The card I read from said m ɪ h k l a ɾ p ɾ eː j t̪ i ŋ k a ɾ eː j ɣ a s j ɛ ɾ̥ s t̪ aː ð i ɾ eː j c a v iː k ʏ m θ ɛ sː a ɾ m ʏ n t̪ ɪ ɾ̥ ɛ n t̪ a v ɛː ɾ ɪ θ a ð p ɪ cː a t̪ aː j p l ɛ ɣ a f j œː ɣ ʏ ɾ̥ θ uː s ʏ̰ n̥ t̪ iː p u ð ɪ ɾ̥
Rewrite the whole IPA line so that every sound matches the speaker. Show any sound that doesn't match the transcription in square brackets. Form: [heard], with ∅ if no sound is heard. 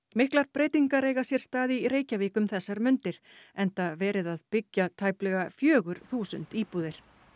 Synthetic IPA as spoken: m ɪ h k l a ɾ p ɾ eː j t̪ i ŋ k a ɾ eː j ɣ a s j ɛ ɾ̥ s t̪ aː ð i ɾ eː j c a v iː k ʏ m θ ɛ sː a ɾ m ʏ n t̪ ɪ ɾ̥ ɛ n t̪ a v ɛː ɾ ɪ [ð] a ð p ɪ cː a [t̪ʰ] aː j p l ɛ ɣ a f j œː ɣ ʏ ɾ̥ θ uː s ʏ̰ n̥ t̪ iː p u ð ɪ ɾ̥

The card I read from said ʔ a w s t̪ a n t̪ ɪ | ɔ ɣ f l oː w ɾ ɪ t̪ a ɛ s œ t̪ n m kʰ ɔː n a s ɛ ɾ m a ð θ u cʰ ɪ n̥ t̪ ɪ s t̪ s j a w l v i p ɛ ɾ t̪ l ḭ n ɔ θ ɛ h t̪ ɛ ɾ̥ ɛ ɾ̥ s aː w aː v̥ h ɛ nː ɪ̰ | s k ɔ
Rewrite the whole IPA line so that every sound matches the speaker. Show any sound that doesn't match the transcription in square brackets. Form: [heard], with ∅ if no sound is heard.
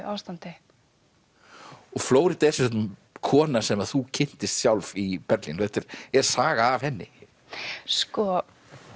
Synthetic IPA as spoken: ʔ a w s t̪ a n t̪ ɪ | ɔ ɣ f l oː w ɾ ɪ t̪ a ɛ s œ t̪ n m kʰ ɔː n a s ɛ [∅] m a ð θ u cʰ ɪ n̥ t̪ ɪ s t̪ s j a w l v i p ɛ ɾ t̪ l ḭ n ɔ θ ɛ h t̪ ɛ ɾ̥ ɛ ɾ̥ s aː [ɣ] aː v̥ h ɛ nː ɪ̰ | s k ɔ

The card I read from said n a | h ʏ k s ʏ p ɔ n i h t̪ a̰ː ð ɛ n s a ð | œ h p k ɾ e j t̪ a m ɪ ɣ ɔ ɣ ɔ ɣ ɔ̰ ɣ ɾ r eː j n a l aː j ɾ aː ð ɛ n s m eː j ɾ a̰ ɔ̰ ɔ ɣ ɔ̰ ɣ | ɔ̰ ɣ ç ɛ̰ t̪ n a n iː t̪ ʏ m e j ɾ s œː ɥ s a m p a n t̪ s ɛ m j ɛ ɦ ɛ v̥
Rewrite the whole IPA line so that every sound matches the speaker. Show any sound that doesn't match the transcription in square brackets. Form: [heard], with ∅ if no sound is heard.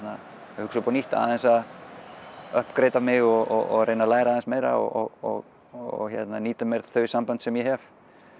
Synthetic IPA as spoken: n a | h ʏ k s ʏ p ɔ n i h t̪ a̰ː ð ɛ n s a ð | œ h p k ɾ e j t̪ a m ɪ ɣ ɔ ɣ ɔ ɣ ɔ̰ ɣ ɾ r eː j n a l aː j ɾ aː ð ɛ n s m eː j ɾ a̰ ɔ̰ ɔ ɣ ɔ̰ ɣ | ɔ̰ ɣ ç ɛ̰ t̪ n a n iː t̪ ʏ m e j ɾ [θ] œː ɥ s a m p a n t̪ s ɛ m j ɛ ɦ ɛ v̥

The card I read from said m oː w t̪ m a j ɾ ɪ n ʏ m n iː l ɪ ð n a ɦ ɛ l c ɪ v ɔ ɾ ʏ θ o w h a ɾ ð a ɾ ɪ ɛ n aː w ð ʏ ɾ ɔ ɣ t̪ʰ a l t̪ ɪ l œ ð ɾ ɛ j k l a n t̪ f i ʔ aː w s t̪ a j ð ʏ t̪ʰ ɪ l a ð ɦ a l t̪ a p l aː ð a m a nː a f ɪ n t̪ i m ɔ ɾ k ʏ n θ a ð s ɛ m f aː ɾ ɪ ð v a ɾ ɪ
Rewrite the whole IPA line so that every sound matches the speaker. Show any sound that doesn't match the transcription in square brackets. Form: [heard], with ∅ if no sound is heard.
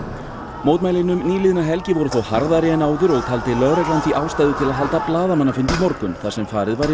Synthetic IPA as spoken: m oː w t̪ m a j [l] ɪ n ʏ m n iː l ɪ ð n a ɦ ɛ l c ɪ v ɔ ɾ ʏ θ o w h a ɾ ð a ɾ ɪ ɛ n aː w ð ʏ ɾ ɔ ɣ t̪ʰ a l t̪ ɪ l œ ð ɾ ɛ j k l a n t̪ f i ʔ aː w s t̪ a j ð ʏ t̪ʰ ɪ l a ð ɦ a l t̪ a p l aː ð a m a nː a f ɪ n t̪ i m ɔ ɾ k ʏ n θ a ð s ɛ m f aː ɾ ɪ ð v a ɾ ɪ

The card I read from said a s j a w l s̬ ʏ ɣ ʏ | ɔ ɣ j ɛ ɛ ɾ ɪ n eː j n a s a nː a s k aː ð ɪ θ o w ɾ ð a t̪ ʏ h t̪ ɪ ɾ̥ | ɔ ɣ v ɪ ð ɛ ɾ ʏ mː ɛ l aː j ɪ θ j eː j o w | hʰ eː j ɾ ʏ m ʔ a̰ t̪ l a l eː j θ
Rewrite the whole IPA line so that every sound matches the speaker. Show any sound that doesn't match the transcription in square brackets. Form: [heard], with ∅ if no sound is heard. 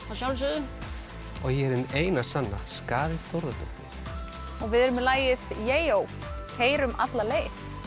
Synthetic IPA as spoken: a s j a w l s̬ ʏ [ð] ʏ | ɔ ɣ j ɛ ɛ ɾ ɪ n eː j n a s a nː a s k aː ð ɪ θ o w ɾ ð a t̪ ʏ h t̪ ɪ ɾ̥ | ɔ ɣ v ɪ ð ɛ ɾ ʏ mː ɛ l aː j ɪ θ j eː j o w | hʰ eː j ɾ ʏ m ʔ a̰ t̪ l a l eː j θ

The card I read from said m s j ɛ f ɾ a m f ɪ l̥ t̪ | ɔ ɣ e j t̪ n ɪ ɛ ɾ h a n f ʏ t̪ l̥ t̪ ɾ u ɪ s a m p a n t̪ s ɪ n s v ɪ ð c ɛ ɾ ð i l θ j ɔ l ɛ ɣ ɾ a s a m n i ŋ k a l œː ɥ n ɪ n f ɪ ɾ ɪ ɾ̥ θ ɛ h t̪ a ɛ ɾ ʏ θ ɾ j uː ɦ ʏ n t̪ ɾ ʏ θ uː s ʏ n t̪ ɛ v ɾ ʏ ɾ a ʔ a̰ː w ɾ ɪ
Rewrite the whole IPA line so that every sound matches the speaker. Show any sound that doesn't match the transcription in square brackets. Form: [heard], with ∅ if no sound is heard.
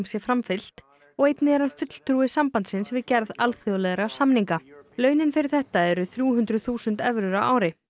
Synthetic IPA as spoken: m s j ɛ f ɾ a m f ɪ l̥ t̪ | ɔ ɣ e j t̪ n ɪ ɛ ɾ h a n f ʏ t̪ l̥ t̪ ɾ u ɪ s a m p a n t̪ s ɪ n s v ɪ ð c ɛ ɾ ð [a] l θ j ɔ l ɛ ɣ ɾ a s a m n i ŋ k a l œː ɥ n ɪ n f ɪ ɾ ɪ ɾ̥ θ ɛ h t̪ a ɛ ɾ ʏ θ ɾ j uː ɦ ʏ n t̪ ɾ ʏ θ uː s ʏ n t̪ ɛ v ɾ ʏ ɾ a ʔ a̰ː w ɾ ɪ

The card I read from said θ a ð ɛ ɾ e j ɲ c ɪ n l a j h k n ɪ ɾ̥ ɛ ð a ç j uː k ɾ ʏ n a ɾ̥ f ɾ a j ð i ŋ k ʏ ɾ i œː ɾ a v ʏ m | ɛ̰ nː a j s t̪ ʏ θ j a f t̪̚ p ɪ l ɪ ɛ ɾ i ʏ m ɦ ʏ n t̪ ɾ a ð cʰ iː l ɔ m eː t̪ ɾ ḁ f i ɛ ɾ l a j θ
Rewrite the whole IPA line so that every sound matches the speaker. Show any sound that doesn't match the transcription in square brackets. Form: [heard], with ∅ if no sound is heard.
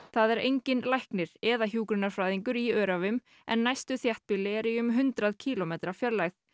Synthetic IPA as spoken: θ a ð ɛ ɾ e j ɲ c ɪ n l a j h k n ɪ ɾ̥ ɛ ð a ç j uː k ɾ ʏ n a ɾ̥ f ɾ a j ð i ŋ k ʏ ɾ i œː ɾ a v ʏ m | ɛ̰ nː a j s t̪ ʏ θ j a [h] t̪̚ p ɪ l ɪ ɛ ɾ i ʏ m ɦ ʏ n t̪ ɾ a ð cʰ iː l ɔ m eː t̪ ɾ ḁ f [j] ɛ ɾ l a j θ

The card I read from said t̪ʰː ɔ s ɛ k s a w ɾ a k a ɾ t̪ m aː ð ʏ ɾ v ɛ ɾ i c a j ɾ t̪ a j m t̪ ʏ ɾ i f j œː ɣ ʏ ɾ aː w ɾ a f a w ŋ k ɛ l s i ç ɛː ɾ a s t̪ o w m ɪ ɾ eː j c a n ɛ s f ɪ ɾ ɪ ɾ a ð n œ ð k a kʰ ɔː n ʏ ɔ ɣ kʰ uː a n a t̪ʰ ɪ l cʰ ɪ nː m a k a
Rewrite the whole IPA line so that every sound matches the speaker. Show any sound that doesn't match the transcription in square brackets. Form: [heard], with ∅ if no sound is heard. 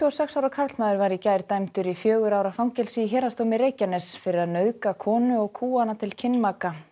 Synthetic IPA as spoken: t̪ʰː ɔ s ɛ k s a w ɾ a [kʰ] a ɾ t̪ m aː ð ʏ ɾ v [a] ɾ i c a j ɾ t̪ a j m t̪ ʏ ɾ i f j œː ɣ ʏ ɾ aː w ɾ a f a w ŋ [c] ɛ l s i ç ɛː ɾ a s t̪ o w m ɪ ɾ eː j c a n ɛ s f ɪ ɾ ɪ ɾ a ð n œ ð k a kʰ ɔː n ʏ ɔ ɣ kʰ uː a n a t̪ʰ ɪ l cʰ ɪ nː m a k a

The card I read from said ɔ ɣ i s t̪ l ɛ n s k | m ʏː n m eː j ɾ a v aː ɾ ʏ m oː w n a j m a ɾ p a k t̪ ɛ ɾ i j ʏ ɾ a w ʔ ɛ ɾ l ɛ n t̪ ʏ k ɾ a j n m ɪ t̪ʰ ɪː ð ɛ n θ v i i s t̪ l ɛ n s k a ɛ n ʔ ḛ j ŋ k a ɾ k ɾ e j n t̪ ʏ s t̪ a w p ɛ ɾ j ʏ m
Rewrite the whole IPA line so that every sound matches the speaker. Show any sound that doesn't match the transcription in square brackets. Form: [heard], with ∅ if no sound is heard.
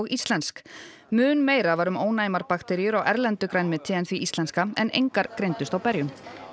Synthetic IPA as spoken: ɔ ɣ i s t̪ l ɛ n s k | m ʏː n m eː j ɾ a v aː ɾ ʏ m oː w n a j m a ɾ p a k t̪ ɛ ɾ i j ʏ ɾ a w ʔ ɛ ɾ l ɛ n t̪ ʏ k ɾ a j n m ɪ t̪ʰ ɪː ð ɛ n θ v i i s t̪ l ɛ n s k a ɛ n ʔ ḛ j ŋ k a ɾ k ɾ e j n t̪ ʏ s t̪ a w p ɛ ɾ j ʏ m

